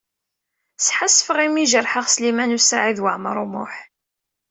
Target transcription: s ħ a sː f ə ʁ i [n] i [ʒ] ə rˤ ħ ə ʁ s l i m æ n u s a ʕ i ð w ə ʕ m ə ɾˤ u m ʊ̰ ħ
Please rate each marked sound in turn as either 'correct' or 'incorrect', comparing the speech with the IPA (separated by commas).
incorrect, correct